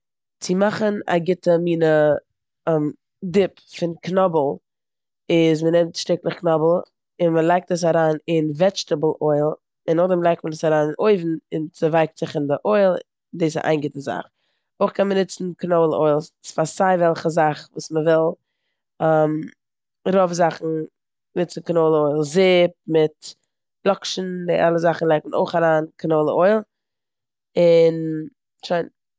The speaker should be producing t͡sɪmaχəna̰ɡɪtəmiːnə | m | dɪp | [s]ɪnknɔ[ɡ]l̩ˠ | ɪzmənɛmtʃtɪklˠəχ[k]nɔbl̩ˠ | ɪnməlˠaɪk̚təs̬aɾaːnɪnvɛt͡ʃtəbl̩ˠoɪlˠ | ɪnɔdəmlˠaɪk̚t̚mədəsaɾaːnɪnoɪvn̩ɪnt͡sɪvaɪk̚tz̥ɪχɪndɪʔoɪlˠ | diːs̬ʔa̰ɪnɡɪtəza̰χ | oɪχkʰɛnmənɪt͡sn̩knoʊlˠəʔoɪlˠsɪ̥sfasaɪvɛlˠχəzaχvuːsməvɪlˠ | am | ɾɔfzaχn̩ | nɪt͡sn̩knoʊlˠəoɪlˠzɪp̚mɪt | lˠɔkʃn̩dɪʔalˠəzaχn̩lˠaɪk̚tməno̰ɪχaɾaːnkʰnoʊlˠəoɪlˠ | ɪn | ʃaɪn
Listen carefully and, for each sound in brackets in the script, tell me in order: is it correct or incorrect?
incorrect: f, incorrect: b, correct

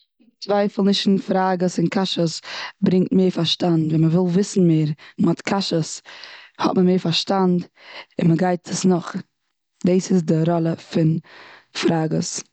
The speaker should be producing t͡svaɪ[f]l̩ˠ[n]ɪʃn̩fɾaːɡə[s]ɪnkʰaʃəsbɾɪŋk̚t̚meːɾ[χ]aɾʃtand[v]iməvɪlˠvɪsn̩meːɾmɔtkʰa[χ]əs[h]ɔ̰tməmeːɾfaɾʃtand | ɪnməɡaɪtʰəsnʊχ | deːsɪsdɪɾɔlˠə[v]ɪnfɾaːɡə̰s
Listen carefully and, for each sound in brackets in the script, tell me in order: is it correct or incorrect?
correct, correct, correct, incorrect: f, correct, incorrect: ʃ, correct, incorrect: f

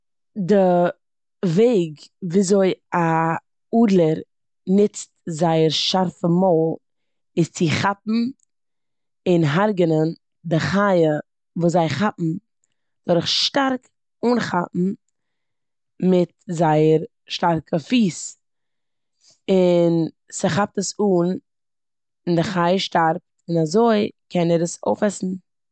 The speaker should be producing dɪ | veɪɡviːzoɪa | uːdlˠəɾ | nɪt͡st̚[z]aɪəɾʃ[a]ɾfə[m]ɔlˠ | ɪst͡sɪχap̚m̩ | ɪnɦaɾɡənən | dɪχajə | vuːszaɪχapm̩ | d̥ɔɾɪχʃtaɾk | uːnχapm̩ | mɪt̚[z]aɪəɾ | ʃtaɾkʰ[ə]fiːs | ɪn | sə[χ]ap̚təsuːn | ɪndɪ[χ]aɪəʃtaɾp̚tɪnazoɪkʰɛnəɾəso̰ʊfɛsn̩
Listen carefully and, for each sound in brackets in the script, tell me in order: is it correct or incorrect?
correct, correct, correct, correct, correct, correct, correct

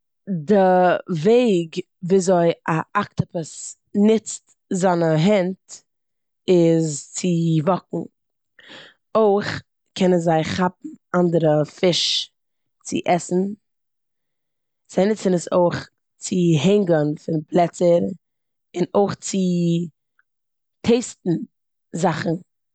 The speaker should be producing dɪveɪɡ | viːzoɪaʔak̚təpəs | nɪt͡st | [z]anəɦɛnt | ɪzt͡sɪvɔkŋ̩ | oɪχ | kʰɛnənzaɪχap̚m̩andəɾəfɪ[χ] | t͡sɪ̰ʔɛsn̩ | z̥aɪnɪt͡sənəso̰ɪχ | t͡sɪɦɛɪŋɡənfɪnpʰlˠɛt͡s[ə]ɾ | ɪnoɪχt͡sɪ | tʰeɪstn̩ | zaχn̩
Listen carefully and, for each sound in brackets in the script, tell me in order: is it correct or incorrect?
correct, incorrect: ʃ, correct

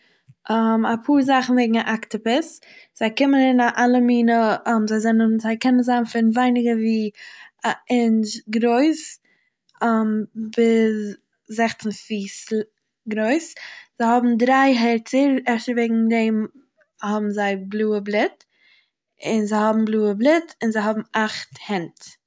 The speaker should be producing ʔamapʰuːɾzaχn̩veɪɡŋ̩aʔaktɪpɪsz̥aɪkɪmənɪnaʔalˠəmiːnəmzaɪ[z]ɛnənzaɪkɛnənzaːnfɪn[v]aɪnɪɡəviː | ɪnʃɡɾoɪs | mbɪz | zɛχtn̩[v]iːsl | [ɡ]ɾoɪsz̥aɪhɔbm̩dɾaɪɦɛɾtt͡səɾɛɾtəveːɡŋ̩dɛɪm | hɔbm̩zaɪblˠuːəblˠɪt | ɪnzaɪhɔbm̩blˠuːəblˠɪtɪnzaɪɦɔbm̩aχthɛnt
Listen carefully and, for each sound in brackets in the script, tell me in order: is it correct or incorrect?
correct, correct, incorrect: f, correct

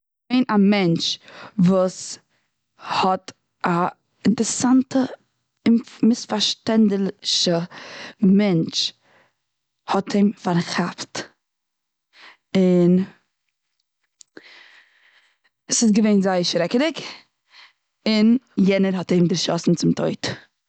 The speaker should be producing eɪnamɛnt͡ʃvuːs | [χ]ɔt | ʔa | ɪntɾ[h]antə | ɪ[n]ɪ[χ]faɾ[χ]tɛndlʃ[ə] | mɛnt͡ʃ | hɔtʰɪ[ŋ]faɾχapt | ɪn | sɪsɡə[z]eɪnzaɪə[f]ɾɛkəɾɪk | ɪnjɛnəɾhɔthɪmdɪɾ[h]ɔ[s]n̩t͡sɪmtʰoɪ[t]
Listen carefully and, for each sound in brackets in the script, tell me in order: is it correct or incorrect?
incorrect: h, incorrect: s, incorrect: m, incorrect: s, incorrect: ʃ, correct, incorrect: m, incorrect: v, incorrect: ʃ, incorrect: ʃ, correct, correct

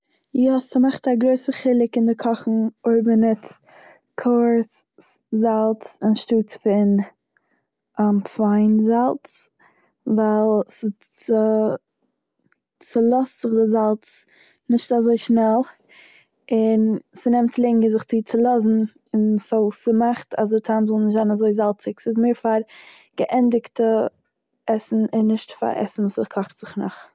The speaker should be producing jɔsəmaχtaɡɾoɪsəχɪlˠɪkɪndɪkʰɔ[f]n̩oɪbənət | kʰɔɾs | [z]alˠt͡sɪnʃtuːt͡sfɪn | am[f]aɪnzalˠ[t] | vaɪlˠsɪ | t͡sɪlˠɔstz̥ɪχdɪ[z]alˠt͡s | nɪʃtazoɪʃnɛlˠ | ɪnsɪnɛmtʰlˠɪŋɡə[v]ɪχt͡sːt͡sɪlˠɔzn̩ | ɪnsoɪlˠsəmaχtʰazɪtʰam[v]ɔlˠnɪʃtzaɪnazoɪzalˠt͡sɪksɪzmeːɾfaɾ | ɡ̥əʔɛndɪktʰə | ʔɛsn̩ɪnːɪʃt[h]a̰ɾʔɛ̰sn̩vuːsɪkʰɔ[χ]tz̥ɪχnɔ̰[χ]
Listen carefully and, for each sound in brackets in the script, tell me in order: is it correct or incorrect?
incorrect: χ, correct, correct, incorrect: t͡s, correct, incorrect: z, incorrect: z, incorrect: f, correct, correct

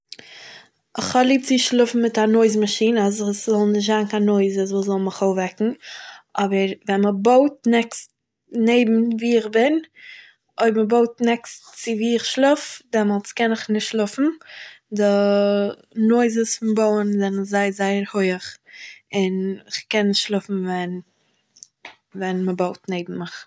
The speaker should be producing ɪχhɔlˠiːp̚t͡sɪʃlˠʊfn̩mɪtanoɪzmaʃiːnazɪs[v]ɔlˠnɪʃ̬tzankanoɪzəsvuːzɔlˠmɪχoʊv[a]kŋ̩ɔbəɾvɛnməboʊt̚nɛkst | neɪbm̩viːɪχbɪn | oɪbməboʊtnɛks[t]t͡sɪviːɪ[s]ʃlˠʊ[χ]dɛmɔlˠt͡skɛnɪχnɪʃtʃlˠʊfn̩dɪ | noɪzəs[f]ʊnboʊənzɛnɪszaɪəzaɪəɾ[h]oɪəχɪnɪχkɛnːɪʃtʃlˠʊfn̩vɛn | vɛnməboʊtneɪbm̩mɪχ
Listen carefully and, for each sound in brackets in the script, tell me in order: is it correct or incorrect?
incorrect: z, incorrect: ɛ, correct, incorrect: χ, incorrect: f, correct, correct

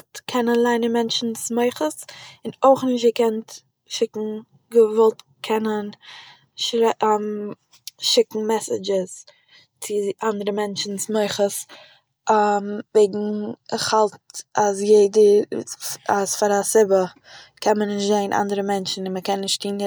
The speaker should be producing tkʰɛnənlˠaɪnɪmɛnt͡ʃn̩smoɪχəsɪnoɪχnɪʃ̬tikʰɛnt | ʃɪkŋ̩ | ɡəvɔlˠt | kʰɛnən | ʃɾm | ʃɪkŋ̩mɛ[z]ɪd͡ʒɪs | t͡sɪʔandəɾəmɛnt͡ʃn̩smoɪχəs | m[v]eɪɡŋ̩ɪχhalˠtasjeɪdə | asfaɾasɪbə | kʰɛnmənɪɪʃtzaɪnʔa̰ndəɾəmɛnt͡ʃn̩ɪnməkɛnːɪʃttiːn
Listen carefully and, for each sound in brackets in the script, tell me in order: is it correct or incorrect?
incorrect: s, correct

